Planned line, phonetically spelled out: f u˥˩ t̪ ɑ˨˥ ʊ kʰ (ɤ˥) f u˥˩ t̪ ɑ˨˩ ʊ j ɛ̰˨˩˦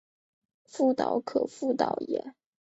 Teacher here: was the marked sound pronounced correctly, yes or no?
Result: no